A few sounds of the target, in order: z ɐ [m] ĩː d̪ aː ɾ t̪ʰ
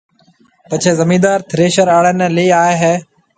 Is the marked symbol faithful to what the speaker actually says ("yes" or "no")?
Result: yes